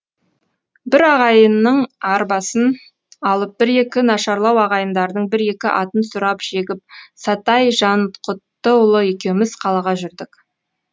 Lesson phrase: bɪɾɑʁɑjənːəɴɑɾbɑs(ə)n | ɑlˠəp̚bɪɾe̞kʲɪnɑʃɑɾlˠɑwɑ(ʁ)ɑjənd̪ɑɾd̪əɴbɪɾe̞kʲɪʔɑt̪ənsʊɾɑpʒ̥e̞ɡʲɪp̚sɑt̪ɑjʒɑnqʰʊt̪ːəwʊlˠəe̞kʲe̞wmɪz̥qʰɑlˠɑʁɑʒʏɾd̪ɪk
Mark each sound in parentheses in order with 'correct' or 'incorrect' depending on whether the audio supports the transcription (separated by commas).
correct, correct